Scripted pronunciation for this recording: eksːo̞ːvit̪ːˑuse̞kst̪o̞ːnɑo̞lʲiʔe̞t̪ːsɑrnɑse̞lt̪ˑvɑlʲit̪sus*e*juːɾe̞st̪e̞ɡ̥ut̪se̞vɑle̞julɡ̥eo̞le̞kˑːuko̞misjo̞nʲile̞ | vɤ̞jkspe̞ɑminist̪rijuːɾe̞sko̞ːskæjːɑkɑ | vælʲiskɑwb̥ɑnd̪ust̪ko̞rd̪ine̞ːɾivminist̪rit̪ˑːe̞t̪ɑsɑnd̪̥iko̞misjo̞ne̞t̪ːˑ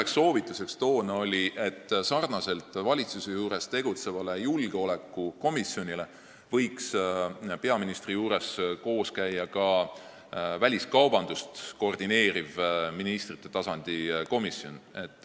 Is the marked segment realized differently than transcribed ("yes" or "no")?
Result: no